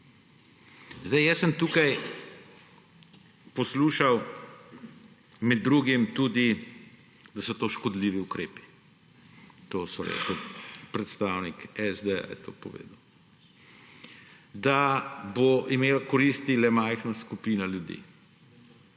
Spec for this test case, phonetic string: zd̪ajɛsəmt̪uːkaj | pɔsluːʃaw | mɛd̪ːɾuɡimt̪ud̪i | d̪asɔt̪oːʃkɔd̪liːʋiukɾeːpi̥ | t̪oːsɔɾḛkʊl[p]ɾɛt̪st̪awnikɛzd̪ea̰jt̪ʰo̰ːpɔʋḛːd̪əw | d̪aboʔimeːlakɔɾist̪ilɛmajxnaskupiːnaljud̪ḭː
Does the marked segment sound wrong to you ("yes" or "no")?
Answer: no